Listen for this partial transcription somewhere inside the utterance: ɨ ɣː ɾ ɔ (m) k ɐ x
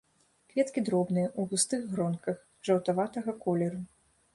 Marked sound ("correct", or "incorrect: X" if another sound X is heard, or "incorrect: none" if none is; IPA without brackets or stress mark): incorrect: n